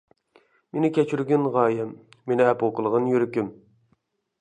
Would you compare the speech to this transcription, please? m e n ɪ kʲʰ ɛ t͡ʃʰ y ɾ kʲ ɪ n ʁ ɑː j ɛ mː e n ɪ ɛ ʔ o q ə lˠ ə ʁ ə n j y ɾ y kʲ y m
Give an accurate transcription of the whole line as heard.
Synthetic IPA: m e n ɪ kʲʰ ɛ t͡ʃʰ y ɾ ɡʲ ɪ n ʁ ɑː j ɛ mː e n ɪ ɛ p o q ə lˠ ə ʁ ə n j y ɾ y kʲ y m